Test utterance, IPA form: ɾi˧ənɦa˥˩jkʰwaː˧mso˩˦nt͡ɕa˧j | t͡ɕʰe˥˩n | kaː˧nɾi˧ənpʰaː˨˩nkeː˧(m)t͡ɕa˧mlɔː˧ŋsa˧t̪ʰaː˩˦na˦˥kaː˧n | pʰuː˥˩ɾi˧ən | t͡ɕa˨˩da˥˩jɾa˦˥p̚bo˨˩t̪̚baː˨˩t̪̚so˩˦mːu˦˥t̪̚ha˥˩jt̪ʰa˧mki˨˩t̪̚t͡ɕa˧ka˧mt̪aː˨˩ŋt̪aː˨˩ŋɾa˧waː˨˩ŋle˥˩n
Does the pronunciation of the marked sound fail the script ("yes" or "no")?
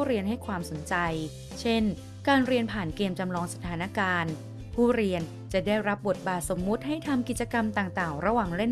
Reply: no